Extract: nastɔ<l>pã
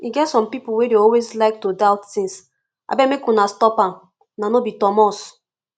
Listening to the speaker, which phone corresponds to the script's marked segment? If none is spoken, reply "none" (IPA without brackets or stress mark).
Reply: none